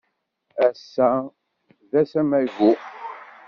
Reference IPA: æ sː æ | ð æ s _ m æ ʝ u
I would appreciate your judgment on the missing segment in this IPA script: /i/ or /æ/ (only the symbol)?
æ